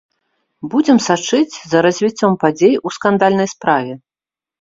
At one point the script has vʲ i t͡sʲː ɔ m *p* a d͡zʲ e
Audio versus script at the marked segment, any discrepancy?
no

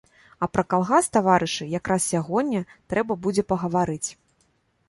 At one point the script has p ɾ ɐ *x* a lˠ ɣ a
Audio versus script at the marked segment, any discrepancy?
yes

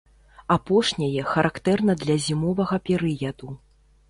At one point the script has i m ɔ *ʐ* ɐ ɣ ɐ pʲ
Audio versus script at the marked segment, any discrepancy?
yes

